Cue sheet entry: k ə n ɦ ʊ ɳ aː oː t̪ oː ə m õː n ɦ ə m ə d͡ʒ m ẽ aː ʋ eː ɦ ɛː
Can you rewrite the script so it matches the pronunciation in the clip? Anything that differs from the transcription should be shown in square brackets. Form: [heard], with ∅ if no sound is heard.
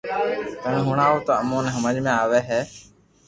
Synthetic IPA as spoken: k ə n ɦ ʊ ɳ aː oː t̪ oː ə m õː n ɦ ə m ə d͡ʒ m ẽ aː ʋ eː ɦ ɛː